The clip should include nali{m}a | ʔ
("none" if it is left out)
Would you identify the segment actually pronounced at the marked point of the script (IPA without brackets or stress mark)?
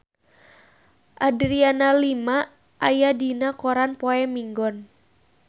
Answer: m